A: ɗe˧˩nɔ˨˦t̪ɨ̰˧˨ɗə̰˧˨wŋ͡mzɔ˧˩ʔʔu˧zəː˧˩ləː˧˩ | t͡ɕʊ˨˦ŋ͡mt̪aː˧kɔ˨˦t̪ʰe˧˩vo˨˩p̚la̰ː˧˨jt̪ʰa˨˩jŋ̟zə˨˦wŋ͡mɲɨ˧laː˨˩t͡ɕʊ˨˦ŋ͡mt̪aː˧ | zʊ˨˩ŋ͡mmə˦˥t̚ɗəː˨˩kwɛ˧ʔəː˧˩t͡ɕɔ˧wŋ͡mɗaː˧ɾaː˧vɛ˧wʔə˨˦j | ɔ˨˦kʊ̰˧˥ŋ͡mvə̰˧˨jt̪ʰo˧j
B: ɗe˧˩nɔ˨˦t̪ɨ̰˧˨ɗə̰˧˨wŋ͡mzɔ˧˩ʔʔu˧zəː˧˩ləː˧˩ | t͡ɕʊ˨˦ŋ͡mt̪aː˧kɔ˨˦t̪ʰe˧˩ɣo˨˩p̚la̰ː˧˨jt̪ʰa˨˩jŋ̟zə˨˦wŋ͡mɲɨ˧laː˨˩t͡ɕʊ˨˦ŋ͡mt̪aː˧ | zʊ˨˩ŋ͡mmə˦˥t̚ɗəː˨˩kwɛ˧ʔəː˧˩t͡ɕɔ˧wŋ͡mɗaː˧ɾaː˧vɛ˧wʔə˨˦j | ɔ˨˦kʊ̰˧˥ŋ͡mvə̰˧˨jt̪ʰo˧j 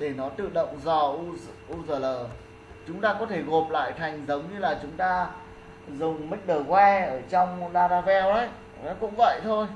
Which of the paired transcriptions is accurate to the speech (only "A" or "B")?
B